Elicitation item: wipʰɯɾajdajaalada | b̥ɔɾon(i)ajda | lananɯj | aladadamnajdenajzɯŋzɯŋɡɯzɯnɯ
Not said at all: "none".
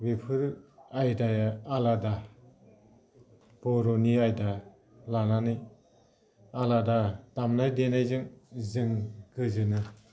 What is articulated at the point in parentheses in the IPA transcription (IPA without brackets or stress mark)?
i